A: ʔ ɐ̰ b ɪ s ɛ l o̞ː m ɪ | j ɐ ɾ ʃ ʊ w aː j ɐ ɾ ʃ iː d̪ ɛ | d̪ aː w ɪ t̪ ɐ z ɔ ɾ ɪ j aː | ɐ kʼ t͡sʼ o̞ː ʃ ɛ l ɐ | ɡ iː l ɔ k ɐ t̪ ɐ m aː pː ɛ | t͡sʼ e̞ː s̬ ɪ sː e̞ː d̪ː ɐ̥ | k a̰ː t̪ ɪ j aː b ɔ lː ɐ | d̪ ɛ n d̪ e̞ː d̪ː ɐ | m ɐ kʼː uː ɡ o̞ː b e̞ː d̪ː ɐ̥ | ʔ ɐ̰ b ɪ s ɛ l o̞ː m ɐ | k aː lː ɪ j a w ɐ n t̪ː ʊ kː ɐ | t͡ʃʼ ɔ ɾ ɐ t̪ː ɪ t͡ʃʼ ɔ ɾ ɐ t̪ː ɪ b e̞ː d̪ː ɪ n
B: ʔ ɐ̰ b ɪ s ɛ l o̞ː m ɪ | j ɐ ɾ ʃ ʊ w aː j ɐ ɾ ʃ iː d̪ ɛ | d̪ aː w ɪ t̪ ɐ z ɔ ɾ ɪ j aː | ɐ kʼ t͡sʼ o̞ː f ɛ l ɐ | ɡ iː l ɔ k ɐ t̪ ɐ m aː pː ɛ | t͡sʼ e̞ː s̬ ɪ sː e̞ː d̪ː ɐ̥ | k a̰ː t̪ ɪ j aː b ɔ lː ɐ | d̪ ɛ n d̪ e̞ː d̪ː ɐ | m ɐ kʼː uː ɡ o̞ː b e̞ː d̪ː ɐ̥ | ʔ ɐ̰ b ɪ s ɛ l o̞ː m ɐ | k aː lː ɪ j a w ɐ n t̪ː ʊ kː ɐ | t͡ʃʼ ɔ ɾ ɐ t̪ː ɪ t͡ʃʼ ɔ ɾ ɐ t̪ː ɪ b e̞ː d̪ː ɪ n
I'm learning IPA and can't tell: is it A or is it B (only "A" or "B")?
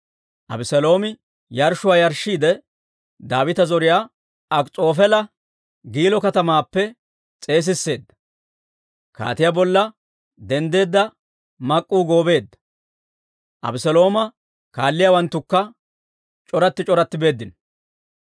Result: B